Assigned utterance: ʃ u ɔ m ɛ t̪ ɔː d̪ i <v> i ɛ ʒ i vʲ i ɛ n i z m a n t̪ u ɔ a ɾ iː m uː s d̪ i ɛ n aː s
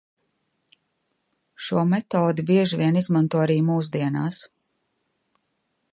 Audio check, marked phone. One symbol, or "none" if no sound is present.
b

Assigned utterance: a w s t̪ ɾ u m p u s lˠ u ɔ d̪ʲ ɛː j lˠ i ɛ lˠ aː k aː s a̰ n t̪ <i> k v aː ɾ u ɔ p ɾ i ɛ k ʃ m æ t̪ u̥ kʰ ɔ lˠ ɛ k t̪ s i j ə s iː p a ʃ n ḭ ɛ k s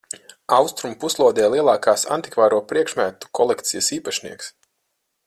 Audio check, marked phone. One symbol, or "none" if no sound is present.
i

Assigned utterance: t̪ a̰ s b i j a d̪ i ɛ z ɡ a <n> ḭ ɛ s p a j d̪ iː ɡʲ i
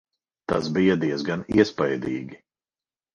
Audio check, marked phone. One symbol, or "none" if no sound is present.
n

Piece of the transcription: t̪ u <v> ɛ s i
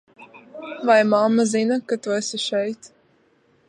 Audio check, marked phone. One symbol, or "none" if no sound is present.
none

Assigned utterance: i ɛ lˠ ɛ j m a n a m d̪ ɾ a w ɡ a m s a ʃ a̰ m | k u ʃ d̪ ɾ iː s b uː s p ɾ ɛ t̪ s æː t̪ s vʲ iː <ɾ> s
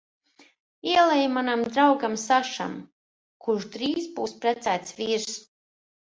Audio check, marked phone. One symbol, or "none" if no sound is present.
ɾ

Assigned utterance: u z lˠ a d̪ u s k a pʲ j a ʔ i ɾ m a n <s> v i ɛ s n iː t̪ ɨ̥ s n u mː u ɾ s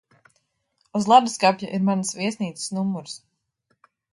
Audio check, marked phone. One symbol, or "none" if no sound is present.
s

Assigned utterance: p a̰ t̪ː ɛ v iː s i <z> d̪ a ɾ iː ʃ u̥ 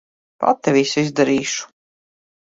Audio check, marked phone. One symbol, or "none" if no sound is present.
z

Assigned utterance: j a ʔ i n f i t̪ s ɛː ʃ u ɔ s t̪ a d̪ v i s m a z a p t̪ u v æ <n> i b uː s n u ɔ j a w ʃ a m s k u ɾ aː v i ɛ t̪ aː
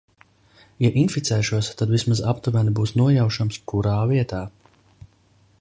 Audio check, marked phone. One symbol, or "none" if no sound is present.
n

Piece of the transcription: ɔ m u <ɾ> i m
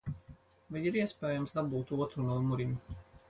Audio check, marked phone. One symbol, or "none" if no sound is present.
ɾ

